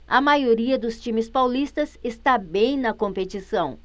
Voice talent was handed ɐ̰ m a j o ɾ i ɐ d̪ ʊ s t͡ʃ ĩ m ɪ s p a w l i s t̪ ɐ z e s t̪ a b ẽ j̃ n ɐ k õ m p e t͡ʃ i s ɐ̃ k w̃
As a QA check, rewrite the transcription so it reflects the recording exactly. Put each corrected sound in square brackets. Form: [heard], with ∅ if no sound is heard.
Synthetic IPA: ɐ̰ m a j o ɾ i ɐ d̪ ʊ s t͡ʃ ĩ m ɪ s p a w l i s t̪ ɐ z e s t̪ a b ẽ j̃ n ɐ k õ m p e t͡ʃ i s ɐ̃ [∅] w̃